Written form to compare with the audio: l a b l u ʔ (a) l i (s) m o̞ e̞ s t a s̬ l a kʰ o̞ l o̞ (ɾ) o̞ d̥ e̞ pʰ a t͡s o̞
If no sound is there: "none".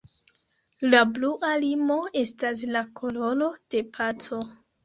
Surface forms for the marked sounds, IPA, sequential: a, none, l

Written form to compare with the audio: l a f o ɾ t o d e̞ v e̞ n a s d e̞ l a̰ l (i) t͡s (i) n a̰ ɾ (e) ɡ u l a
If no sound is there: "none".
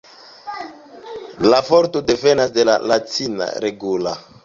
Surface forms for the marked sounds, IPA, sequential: a, i, e

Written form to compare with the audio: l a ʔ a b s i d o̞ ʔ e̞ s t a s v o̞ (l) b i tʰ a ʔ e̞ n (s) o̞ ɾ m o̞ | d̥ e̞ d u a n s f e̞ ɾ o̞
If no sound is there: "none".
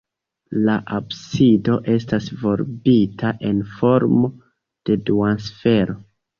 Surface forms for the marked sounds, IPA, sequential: ɾ, f

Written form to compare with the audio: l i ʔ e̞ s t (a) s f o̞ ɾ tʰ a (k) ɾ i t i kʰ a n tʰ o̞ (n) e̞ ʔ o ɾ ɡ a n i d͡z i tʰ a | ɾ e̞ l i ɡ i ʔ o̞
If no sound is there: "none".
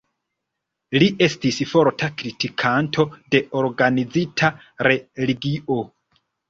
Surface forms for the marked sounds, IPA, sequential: i, k, d

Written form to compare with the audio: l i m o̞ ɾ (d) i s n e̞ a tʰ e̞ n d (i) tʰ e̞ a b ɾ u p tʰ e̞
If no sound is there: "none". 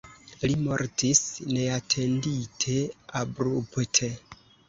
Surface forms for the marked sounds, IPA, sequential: t, i

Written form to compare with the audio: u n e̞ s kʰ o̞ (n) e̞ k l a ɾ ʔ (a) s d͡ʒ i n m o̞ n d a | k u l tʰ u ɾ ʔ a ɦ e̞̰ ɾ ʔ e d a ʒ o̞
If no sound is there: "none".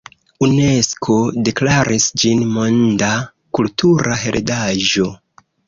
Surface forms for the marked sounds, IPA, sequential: d, i

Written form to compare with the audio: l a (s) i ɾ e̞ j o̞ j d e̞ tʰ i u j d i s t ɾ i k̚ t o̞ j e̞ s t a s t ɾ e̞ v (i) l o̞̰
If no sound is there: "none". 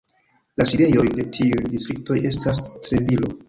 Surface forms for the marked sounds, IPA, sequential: s, i

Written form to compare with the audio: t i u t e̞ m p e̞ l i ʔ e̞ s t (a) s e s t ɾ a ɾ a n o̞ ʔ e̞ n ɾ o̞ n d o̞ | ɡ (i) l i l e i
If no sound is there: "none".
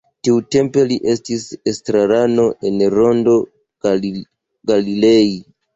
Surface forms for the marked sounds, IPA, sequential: i, a

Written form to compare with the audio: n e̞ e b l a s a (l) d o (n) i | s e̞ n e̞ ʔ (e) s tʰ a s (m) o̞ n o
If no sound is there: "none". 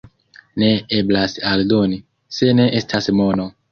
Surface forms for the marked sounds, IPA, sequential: l, n, e, m

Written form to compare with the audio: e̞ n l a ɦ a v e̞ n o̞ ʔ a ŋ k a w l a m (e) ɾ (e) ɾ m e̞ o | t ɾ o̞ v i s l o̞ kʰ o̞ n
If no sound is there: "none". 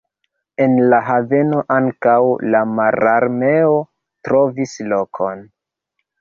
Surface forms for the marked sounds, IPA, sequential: a, a

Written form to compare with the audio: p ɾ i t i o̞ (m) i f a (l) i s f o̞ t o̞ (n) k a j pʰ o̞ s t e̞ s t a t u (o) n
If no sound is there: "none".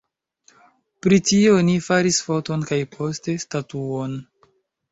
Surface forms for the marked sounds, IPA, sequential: n, ɾ, n, o

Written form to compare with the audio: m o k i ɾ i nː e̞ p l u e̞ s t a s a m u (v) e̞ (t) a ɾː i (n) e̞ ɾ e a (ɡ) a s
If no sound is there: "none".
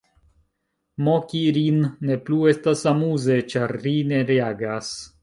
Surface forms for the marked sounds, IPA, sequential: z, t͡ʃ, n, ɡ

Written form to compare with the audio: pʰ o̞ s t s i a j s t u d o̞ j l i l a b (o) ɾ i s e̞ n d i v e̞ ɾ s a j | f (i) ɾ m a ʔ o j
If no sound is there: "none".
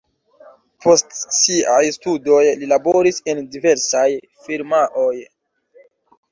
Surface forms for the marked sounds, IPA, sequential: o, i

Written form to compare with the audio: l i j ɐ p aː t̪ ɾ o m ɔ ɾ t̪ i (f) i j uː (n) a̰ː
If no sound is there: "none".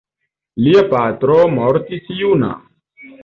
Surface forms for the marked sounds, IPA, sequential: s, n

